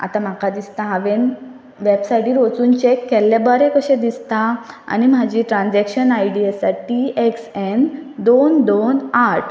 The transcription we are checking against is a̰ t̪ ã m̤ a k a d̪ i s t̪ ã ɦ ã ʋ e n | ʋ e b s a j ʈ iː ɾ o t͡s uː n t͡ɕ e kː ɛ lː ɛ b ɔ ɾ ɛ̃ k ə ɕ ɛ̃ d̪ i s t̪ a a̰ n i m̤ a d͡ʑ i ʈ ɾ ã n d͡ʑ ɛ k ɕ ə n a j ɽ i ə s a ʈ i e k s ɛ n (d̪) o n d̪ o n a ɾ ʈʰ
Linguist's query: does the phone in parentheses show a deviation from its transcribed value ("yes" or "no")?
no